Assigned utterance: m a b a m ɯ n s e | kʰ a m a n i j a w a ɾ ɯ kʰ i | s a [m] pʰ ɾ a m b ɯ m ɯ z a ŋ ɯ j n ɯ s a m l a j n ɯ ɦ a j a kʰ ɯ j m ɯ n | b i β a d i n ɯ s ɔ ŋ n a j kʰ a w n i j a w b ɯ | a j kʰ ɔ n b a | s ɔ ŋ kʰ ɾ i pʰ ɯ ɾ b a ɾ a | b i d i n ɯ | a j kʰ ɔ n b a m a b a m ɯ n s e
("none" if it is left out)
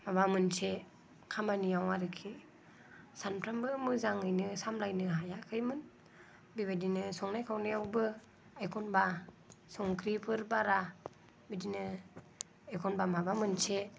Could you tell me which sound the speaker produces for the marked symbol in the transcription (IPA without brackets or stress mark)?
n